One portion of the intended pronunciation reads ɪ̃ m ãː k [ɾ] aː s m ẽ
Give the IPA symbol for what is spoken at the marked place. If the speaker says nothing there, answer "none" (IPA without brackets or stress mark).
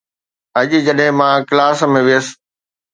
l